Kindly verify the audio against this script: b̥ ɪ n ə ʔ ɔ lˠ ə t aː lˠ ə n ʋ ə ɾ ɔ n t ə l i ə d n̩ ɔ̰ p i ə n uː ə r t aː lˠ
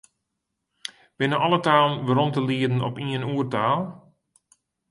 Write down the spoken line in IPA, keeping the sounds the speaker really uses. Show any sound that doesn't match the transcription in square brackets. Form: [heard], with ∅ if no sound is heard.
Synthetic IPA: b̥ ɪ n ə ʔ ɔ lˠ ə t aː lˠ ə n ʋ ə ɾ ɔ n t ə l i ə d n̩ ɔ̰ p i ə n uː ə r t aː lˠ